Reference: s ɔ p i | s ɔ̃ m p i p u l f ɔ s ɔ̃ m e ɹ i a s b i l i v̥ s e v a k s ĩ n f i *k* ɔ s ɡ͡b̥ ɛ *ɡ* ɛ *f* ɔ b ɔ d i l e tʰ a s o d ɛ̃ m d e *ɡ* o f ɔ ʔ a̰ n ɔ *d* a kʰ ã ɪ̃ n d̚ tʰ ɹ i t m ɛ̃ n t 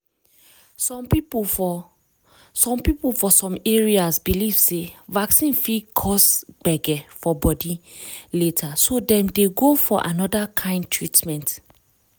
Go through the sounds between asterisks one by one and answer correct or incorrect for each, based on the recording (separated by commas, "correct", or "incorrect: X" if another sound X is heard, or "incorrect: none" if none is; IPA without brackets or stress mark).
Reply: incorrect: kʰ, correct, correct, correct, correct